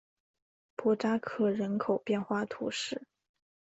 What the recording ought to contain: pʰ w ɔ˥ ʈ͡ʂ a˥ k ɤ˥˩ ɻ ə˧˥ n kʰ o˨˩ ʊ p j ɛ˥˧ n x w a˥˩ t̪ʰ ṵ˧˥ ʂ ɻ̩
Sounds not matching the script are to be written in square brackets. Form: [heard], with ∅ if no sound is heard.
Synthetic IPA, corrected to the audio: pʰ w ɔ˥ ʈ͡ʂ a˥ [kʰ] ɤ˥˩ ɻ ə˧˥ n kʰ o˨˩ ʊ p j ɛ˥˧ n x w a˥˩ t̪ʰ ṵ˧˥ ʂ ɻ̩